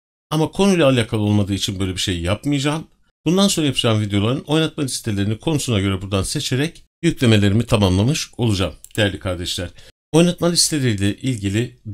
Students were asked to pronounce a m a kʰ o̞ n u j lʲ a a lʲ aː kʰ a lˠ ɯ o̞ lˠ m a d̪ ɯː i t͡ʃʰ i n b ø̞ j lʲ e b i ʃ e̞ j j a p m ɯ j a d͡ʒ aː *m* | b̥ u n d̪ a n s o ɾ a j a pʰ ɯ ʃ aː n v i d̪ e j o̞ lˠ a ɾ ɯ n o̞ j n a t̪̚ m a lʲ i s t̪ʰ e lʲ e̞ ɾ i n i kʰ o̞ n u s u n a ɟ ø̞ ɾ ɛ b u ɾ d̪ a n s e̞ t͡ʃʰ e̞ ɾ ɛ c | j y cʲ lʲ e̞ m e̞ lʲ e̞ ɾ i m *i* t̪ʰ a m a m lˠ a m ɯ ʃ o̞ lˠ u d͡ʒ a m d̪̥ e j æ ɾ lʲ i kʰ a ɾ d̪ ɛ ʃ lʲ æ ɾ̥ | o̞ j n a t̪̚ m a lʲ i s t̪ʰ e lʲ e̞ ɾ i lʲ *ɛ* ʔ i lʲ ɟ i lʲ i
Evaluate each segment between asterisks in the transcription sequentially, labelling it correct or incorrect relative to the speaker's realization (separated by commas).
correct, correct, correct